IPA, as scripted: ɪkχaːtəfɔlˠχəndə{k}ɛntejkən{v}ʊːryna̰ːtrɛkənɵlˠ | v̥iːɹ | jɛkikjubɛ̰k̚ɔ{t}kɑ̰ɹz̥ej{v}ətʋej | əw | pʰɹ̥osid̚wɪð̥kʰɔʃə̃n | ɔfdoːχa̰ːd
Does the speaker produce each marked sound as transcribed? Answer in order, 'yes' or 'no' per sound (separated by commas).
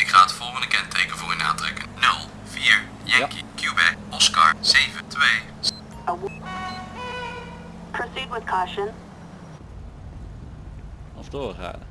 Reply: yes, yes, no, yes